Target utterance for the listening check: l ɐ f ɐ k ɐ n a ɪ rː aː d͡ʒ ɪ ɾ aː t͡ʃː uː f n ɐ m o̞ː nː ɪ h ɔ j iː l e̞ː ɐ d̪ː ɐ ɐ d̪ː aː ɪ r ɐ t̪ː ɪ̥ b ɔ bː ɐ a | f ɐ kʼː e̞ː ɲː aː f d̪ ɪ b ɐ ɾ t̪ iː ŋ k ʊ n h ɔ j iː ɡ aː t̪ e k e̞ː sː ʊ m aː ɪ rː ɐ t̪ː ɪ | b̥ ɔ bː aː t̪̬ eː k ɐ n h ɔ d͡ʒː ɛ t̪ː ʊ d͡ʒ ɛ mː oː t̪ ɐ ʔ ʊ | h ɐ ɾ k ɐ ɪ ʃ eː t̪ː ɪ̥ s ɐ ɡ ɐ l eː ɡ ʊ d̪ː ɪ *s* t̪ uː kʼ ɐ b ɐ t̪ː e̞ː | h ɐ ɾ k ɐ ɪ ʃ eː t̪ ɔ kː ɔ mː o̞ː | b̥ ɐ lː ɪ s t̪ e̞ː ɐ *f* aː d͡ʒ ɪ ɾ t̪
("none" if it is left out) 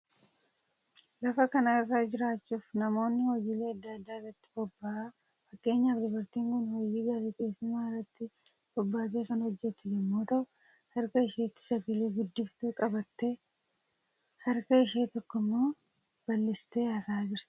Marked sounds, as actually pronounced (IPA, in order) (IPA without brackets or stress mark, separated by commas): f, s